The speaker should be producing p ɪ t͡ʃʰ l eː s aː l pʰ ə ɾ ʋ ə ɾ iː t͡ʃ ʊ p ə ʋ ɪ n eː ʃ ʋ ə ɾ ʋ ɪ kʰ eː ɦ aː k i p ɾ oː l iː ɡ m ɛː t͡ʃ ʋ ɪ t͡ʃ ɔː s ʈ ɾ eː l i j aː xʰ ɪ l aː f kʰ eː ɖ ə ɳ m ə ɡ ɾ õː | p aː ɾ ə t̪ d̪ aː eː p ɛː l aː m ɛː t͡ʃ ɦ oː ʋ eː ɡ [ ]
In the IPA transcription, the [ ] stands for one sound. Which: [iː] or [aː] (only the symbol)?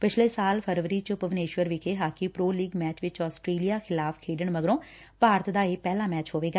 aː